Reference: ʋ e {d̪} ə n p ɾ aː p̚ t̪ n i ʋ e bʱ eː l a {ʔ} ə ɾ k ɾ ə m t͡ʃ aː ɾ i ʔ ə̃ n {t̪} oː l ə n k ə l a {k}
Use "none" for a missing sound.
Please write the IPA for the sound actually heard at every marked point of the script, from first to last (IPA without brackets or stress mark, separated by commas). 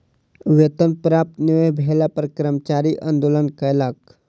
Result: t̪, p, d̪, k